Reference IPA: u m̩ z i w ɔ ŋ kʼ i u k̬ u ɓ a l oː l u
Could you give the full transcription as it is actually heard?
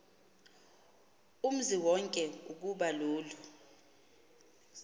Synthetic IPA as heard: u m̩ z i w ɔ ŋ kʼ ɛ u k̬ u ɓ a l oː l u